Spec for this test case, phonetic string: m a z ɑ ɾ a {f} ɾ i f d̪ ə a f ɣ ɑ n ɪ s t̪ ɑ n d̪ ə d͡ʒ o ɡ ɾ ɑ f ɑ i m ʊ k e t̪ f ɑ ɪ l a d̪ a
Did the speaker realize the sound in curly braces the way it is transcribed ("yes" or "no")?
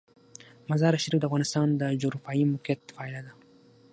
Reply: no